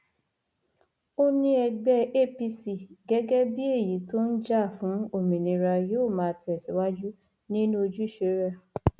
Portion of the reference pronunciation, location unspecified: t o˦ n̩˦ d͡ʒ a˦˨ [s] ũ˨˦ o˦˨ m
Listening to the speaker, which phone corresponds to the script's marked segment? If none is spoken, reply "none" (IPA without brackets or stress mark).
f